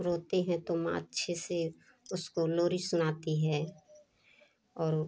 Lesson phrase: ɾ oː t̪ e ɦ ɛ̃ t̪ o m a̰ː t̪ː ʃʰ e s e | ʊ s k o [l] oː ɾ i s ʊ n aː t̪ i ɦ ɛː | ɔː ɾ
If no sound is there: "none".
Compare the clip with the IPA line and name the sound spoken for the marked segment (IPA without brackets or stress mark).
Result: l